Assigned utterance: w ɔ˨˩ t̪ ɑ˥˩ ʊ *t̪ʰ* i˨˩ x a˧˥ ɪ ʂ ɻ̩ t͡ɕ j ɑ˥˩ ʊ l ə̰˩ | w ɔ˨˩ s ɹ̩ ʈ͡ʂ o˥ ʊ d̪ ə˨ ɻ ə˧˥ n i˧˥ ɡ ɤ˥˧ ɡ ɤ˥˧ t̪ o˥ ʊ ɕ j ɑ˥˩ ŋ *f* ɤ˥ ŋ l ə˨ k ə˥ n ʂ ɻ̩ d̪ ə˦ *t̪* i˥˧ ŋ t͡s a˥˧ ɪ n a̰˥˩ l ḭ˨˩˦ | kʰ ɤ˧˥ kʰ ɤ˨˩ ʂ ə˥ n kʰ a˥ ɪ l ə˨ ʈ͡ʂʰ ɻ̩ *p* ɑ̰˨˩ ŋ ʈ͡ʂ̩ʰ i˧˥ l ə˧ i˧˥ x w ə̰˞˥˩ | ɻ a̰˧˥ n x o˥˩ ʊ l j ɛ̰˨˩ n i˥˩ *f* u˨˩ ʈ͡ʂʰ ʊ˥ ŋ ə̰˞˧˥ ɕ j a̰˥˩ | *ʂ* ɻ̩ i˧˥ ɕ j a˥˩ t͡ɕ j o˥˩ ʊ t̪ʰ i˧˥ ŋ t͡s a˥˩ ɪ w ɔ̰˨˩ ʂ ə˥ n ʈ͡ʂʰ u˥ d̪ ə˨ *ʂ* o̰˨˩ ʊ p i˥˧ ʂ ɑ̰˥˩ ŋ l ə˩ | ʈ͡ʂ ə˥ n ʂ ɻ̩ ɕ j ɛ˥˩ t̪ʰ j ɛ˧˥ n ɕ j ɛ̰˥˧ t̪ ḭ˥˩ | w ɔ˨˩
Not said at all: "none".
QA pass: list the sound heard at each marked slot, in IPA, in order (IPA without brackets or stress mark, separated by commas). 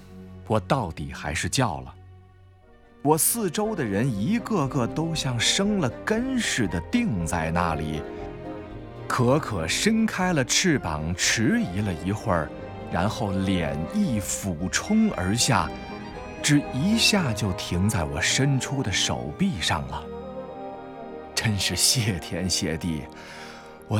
t̪, ʂ, t̪, p, f, ʈ͡ʂ, ʂ